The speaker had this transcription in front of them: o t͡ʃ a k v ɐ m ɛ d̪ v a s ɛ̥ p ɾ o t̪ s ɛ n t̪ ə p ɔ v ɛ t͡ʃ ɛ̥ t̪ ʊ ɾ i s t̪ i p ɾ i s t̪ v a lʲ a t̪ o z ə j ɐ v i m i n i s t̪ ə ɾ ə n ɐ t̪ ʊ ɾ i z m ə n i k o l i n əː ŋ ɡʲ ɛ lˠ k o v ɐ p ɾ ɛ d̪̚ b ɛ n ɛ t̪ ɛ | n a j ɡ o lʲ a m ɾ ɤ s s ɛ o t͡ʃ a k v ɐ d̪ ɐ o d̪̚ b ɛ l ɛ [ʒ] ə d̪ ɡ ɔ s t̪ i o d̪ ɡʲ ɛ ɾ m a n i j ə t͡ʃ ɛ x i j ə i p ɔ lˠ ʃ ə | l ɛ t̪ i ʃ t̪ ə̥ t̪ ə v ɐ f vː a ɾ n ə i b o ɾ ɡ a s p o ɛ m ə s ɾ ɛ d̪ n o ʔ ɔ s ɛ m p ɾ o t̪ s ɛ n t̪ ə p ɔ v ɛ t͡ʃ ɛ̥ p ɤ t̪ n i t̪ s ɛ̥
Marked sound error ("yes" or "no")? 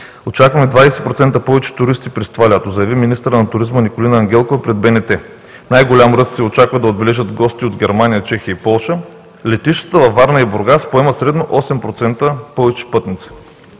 no